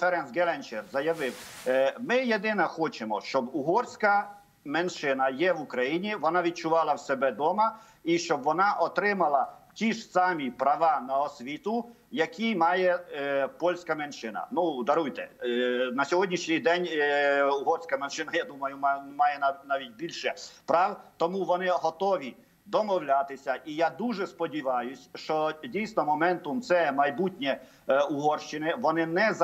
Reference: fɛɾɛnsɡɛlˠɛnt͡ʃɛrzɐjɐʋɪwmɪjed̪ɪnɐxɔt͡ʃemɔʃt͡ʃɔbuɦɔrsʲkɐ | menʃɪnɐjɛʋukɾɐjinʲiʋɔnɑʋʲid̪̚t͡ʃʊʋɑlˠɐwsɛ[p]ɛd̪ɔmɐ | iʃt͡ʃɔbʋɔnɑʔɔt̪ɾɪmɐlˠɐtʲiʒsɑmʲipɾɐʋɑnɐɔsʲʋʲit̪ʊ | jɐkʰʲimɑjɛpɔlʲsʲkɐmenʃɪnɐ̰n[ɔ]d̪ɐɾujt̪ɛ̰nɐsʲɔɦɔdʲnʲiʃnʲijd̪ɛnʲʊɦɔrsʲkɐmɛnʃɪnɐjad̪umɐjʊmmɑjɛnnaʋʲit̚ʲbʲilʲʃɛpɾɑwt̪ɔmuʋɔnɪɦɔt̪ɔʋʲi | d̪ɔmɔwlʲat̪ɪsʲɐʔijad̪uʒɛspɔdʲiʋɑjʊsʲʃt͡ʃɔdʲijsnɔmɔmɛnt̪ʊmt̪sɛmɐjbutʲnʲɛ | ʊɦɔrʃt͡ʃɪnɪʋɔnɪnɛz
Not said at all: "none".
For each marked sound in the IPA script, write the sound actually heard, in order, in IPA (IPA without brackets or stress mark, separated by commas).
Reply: b, u